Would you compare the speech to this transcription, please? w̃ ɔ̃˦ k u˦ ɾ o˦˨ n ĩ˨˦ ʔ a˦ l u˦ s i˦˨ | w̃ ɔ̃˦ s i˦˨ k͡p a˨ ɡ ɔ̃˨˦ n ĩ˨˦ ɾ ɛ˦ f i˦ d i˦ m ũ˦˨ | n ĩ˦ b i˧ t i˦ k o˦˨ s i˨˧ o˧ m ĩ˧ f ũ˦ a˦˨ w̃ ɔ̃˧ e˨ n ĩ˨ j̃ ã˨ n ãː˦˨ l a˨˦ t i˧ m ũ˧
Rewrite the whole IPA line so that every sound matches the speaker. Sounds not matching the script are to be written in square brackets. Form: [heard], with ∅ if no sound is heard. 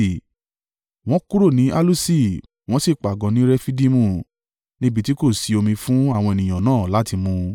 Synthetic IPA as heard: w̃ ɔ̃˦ k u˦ ɾ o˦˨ n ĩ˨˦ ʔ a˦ l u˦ s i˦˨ | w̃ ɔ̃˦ s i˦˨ k͡p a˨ ɡ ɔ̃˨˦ n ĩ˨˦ ɾ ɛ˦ f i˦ d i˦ m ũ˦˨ | n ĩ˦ b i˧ t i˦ k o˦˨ s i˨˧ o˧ m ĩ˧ f ũ˦ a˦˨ w̃ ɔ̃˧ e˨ n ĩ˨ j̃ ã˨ n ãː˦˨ l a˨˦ t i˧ m ũ˧